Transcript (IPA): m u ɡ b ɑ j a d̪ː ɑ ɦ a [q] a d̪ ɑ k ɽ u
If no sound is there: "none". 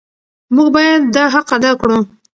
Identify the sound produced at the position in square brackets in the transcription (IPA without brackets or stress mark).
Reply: q